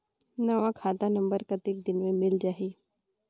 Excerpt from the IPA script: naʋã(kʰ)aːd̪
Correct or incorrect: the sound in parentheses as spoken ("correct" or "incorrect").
correct